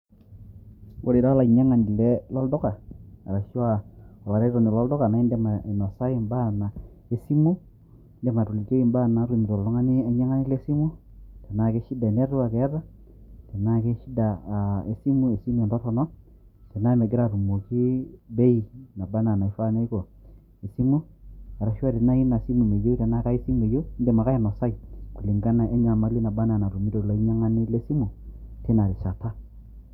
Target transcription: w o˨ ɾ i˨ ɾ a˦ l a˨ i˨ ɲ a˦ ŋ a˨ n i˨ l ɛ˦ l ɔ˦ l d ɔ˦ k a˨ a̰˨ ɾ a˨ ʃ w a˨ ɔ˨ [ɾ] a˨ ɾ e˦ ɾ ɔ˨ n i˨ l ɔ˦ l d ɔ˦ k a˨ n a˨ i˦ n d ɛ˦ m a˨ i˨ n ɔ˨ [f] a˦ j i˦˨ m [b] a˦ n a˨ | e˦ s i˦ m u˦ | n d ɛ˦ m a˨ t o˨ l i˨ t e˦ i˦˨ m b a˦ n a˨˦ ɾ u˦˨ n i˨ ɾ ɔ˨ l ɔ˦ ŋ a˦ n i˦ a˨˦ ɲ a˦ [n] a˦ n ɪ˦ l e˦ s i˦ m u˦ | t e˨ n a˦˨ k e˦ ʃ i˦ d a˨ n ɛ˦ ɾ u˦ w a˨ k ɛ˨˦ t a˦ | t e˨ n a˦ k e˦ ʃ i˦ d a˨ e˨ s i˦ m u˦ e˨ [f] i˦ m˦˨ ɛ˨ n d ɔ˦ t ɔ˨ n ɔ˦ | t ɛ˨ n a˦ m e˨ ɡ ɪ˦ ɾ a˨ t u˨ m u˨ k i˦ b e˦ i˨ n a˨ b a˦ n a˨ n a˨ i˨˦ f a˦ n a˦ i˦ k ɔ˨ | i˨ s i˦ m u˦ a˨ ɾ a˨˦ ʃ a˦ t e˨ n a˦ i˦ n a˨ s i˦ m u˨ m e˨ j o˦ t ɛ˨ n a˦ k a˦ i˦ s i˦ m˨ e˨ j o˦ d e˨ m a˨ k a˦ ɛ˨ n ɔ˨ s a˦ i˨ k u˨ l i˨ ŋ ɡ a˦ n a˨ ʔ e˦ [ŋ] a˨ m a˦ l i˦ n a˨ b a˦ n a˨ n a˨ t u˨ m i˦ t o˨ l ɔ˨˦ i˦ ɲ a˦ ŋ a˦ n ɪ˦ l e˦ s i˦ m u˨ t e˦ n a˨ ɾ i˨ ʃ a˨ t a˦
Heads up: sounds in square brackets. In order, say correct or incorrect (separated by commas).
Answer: incorrect, incorrect, correct, incorrect, incorrect, incorrect